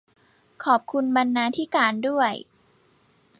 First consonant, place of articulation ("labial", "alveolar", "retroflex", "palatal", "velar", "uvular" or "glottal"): velar